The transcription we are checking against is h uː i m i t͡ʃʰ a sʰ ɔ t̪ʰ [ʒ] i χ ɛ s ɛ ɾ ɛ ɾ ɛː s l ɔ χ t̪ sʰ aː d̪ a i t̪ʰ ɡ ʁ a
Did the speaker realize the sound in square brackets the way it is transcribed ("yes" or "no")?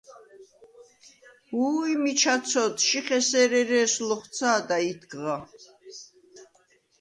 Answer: no